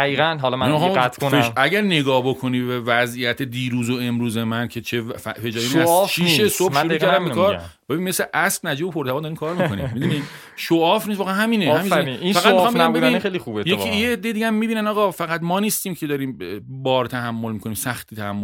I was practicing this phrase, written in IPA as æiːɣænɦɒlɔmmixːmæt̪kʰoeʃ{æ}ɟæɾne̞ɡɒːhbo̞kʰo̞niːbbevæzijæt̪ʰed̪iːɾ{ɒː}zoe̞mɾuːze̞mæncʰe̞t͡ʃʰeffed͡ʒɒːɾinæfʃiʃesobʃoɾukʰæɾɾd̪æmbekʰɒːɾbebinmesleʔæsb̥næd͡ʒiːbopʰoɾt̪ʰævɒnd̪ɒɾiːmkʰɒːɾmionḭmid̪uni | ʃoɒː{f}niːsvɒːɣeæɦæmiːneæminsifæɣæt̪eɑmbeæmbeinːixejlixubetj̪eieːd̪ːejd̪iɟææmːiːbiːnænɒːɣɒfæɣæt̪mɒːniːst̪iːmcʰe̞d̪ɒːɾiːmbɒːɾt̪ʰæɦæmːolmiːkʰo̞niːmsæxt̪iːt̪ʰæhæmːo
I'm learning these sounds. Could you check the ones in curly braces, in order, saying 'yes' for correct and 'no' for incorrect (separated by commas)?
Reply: yes, no, yes